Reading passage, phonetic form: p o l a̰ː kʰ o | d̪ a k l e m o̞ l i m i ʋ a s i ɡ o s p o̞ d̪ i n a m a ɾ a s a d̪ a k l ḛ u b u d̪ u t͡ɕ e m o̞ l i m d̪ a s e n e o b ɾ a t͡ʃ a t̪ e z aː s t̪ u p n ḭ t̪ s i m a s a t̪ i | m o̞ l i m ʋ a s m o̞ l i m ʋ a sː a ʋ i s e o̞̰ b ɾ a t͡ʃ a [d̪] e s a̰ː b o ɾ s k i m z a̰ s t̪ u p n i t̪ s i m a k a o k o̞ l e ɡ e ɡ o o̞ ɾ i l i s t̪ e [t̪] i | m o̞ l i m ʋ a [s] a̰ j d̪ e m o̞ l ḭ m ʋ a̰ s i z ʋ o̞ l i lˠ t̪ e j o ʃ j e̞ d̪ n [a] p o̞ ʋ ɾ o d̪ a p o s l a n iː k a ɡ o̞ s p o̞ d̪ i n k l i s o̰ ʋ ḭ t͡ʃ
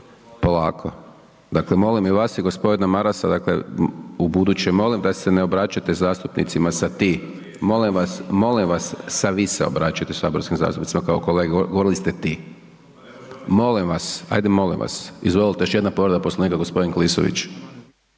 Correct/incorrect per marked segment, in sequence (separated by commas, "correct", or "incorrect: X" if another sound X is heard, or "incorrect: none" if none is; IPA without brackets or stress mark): incorrect: t̪, correct, correct, correct